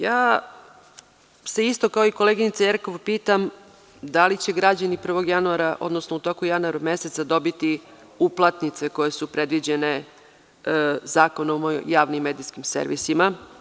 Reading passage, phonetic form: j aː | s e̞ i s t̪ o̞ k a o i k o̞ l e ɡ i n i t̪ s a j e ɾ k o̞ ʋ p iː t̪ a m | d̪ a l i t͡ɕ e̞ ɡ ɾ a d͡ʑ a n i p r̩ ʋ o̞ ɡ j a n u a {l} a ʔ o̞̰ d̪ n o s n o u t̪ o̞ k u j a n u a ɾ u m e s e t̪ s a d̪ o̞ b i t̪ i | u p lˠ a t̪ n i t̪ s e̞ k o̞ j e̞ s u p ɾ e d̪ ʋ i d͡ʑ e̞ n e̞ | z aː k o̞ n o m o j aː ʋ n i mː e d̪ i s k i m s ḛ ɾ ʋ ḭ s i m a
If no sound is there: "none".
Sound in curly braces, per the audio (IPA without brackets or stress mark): ɾ